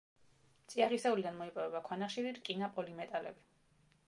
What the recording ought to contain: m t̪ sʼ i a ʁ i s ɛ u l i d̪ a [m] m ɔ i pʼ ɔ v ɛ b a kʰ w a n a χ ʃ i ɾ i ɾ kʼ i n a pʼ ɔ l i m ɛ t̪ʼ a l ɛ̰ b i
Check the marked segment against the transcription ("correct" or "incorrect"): incorrect